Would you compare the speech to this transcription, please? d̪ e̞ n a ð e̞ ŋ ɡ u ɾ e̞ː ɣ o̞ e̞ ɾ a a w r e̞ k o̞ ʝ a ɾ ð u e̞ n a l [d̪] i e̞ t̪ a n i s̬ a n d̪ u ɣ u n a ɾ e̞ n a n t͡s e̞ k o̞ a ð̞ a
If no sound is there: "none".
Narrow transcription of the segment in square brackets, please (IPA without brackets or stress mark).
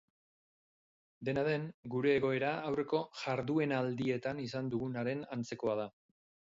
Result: d̪